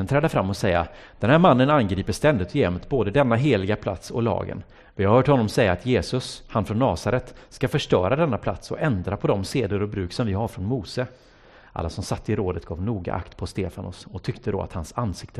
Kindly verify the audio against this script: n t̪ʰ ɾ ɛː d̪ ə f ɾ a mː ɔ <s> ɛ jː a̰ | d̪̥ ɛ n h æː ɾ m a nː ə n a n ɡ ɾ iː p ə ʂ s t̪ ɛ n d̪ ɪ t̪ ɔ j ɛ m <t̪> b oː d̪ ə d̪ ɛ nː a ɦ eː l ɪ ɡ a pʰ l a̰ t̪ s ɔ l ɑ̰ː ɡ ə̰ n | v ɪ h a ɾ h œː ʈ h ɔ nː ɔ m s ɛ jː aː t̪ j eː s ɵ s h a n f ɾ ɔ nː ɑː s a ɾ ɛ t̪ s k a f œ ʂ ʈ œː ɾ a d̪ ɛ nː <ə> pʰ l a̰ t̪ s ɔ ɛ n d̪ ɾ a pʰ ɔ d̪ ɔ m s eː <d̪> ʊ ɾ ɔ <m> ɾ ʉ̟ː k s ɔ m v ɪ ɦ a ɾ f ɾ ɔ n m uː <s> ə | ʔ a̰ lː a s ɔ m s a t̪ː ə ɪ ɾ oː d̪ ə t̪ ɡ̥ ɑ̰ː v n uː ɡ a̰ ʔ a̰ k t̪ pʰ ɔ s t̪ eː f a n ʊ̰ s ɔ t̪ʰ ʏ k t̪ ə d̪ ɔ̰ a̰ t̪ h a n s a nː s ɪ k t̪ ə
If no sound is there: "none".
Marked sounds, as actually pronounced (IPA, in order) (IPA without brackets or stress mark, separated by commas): s, t̪, a, d̪, b, s